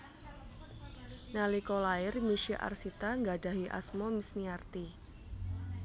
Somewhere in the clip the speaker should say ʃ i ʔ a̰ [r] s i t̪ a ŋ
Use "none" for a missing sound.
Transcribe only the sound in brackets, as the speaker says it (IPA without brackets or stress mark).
r